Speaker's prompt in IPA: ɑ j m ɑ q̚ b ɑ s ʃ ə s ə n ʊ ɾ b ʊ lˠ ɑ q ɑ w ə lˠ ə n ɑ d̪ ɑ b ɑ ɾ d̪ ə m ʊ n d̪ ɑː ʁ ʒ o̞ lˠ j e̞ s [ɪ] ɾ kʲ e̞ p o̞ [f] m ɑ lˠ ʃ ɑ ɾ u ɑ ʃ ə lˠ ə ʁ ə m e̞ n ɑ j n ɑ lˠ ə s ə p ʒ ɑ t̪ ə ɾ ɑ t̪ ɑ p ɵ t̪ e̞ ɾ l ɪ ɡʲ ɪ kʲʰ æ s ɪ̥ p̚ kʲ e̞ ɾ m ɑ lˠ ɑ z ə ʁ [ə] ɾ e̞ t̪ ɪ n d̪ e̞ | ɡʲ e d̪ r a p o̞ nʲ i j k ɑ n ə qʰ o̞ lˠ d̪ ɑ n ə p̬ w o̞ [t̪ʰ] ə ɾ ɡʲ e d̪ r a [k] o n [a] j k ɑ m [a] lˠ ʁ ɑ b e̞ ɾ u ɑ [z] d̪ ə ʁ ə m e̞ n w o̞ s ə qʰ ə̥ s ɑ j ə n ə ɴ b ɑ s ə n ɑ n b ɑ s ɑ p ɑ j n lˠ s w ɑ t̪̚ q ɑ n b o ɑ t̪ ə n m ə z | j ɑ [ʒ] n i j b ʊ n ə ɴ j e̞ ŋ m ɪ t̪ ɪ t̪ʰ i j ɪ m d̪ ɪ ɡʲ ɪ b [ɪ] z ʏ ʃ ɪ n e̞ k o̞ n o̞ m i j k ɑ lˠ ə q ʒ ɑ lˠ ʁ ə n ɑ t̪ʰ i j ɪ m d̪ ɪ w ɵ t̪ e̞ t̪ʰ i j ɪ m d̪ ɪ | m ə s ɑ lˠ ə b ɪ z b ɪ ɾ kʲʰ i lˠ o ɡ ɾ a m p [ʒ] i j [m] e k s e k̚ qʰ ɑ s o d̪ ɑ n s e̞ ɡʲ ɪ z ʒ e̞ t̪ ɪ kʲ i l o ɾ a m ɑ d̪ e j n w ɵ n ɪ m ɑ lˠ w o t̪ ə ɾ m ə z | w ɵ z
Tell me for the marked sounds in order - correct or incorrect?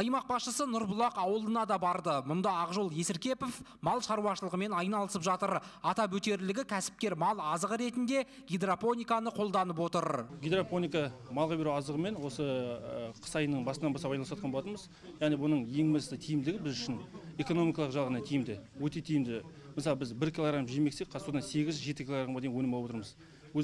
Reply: correct, correct, correct, incorrect, incorrect, incorrect, incorrect, correct, incorrect, correct, correct, correct

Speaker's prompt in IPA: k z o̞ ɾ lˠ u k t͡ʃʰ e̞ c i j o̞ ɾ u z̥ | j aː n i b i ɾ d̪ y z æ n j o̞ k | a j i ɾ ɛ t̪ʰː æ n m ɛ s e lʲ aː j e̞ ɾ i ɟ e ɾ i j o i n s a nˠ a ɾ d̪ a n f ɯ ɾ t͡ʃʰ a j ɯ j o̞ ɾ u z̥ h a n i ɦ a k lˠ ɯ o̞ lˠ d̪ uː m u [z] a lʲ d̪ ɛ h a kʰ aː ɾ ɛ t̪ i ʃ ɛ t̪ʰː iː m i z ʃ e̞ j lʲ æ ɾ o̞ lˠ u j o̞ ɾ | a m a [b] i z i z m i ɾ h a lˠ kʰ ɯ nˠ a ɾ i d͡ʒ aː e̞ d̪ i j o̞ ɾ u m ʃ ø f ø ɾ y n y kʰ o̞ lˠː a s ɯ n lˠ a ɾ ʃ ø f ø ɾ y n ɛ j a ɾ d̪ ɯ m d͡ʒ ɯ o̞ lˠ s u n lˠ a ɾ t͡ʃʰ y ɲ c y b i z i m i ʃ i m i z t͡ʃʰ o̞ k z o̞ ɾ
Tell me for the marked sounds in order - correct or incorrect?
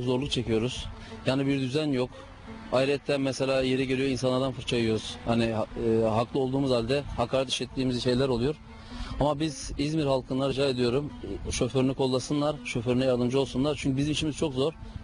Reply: correct, correct

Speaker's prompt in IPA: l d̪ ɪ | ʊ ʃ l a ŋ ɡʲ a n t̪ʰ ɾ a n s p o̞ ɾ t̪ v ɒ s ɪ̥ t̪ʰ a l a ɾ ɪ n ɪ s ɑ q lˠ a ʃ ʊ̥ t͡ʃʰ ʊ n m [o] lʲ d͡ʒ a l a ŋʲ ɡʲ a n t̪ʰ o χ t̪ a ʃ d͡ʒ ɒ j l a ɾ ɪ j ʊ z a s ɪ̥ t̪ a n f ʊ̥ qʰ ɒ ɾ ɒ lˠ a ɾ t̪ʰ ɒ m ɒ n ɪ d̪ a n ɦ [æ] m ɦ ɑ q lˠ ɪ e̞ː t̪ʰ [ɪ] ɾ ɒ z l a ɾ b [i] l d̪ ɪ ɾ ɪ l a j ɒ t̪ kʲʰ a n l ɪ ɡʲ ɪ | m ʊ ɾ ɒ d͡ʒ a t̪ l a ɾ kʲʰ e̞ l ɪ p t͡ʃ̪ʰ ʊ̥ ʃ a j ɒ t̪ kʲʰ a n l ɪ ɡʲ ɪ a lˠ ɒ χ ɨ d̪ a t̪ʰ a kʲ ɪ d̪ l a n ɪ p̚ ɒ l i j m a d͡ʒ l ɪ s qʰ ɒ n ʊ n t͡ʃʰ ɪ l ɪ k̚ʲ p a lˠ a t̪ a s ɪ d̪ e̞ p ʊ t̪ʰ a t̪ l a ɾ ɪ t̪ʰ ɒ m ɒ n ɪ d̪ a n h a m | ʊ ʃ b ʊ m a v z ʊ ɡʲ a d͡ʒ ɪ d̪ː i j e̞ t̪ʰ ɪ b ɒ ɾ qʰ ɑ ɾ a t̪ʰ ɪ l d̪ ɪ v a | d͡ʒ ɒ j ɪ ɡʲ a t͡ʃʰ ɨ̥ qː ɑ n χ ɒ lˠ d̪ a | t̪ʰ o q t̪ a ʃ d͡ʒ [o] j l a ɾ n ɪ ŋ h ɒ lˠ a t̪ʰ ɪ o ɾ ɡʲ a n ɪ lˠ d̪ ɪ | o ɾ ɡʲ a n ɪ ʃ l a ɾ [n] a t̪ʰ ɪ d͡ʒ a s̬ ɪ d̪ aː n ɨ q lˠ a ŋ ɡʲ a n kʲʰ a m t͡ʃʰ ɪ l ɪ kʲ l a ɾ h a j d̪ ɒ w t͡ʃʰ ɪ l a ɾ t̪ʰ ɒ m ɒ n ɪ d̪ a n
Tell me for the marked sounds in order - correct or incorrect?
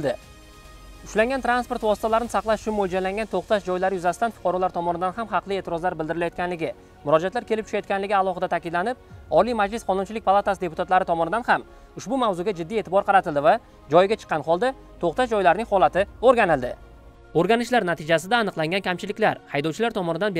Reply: correct, incorrect, correct, incorrect, incorrect, correct

